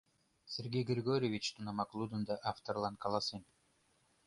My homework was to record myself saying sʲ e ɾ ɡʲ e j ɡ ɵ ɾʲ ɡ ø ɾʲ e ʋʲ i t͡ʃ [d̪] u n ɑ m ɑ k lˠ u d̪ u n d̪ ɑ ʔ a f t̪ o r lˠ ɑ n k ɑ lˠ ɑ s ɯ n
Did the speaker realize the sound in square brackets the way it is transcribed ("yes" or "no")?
no